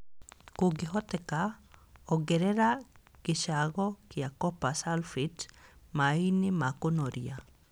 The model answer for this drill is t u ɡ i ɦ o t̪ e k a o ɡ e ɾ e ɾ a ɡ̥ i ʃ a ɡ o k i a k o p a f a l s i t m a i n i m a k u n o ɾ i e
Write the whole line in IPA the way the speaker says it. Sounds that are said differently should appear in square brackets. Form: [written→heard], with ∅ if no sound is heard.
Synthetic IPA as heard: [t→k] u ɡ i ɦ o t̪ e k a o ɡ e ɾ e ɾ a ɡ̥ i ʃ a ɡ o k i a k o p a [f→s] a l [s→f] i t m a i n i m a k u n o ɾ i [e→a]